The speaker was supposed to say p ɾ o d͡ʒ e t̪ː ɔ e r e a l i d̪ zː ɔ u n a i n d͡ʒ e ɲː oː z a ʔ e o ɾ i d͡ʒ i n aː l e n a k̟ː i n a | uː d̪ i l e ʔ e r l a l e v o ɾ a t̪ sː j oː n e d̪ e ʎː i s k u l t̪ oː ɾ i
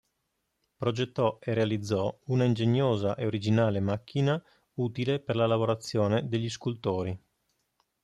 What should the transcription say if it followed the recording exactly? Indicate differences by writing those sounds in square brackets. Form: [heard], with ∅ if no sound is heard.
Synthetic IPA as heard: p ɾ o d͡ʒ e t̪ː ɔ e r e a l i d̪ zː ɔ u n a i n d͡ʒ e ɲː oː z a ʔ e o ɾ i d͡ʒ i n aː l e [m] a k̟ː i n a | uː [t̪] i l e [p] e r l a l [a] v o ɾ a t̪ sː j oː n e d̪ e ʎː i s k u l t̪ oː ɾ i